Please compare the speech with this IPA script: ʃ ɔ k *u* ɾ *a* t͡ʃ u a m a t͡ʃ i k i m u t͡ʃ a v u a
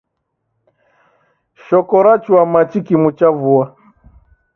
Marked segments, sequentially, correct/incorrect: incorrect, correct

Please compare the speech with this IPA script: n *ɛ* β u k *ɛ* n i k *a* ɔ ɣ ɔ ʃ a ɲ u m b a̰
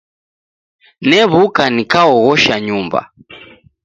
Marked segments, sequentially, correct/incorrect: correct, incorrect, correct

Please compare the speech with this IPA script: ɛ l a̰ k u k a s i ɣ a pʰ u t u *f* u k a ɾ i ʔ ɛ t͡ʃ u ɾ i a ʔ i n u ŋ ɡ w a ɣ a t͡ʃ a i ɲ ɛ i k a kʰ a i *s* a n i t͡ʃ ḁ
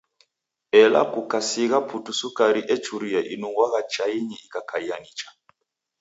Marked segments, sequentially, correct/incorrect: incorrect, incorrect

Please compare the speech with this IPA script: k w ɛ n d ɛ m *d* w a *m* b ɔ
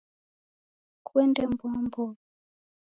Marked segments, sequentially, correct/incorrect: incorrect, correct

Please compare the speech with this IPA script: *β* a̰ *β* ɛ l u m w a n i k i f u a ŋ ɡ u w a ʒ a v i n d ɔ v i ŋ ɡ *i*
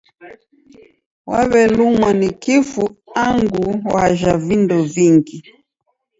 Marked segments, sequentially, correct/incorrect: incorrect, correct, correct

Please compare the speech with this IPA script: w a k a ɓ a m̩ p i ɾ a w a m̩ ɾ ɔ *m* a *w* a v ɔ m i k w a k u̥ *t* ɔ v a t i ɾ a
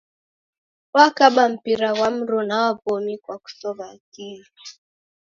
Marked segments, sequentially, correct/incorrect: incorrect, correct, incorrect

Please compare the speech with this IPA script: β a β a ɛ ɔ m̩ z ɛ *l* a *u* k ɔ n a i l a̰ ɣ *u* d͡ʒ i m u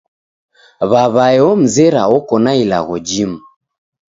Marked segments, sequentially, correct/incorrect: incorrect, incorrect, incorrect

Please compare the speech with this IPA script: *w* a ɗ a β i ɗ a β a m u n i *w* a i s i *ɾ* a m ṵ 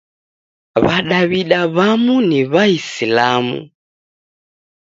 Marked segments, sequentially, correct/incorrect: incorrect, incorrect, incorrect

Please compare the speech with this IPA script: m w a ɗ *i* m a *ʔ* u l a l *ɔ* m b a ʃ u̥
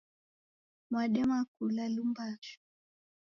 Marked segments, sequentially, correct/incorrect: incorrect, incorrect, incorrect

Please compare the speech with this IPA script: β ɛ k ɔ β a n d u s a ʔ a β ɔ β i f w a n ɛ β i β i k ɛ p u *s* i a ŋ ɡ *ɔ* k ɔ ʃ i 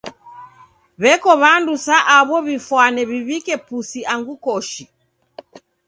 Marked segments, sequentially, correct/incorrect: correct, incorrect

